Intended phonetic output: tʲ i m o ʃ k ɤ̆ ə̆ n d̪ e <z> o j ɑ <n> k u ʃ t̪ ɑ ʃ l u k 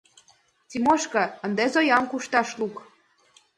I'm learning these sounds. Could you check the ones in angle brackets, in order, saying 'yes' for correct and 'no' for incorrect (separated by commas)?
yes, no